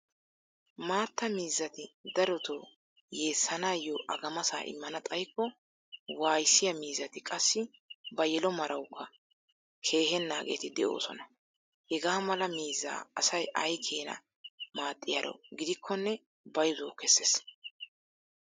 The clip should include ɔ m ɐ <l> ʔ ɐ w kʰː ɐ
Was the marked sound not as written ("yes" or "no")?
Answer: yes